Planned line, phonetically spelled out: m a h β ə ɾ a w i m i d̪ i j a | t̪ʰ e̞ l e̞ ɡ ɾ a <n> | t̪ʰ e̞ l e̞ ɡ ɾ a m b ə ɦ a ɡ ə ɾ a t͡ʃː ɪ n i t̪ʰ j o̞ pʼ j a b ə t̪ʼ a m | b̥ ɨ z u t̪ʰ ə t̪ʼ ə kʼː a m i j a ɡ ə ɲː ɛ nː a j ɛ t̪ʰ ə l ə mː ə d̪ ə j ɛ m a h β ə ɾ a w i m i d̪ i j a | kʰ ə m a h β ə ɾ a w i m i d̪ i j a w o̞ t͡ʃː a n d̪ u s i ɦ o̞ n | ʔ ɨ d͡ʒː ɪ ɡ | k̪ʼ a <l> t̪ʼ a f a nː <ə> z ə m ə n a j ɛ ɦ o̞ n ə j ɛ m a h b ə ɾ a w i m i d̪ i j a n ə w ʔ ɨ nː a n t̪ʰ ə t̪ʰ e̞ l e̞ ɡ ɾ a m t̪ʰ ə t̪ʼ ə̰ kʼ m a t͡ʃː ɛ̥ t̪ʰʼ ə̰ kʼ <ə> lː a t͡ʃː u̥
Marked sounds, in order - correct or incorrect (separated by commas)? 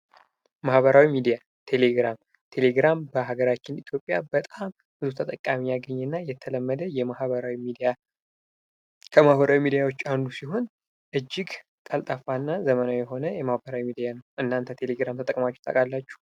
incorrect, correct, incorrect, incorrect